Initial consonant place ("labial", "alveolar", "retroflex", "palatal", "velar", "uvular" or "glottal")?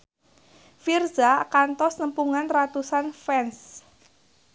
labial